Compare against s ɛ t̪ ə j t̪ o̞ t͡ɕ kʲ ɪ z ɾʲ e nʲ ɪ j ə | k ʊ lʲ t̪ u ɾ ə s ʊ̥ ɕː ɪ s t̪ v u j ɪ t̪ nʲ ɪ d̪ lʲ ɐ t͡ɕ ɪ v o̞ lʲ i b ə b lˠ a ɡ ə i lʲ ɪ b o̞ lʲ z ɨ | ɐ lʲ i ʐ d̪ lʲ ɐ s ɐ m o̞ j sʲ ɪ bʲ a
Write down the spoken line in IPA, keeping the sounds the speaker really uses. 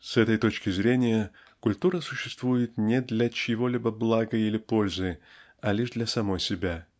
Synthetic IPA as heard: s ɛ t̪ ə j t̪ o̞ t͡ɕ kʲ ɪ z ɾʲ e nʲ ɪ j ə | k ʊ lʲ t̪ u ɾ ə s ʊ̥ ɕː ɪ s t̪ v u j ɪ t̪ nʲ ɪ d̪ lʲ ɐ t͡ɕ ɪ v o̞ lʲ i b ə b lˠ a ɡ ə i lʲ ɪ p o̞ lʲ z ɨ | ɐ lʲ i ʐ d̪ lʲ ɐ s ɐ m o̞ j sʲ ɪ bʲ a